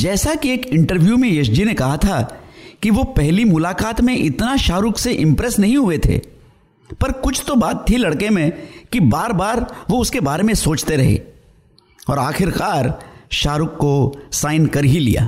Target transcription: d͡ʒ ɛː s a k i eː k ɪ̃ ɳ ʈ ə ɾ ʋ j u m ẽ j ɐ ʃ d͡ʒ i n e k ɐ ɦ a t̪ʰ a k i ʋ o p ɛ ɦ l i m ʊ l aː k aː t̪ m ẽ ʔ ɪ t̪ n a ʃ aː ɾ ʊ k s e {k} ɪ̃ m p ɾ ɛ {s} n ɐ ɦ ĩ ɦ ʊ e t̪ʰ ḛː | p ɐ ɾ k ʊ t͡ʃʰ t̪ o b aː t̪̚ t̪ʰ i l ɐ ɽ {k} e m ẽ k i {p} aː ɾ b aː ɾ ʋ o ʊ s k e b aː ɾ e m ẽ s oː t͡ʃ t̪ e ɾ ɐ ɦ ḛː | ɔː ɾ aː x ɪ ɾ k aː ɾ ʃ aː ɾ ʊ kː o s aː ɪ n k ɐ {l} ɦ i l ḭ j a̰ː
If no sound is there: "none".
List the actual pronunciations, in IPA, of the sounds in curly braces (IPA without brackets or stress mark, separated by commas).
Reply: ʔ, s, k, b, ɾ